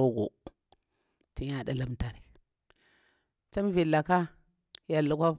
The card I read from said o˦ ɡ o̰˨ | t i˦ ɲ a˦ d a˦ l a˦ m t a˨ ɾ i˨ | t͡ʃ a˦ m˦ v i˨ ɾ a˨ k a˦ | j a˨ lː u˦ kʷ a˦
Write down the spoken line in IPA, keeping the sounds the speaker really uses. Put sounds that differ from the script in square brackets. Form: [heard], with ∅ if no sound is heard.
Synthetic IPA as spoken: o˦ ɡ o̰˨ | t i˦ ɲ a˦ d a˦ l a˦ m t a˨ ɾ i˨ | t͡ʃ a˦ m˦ v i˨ [l] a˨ k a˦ | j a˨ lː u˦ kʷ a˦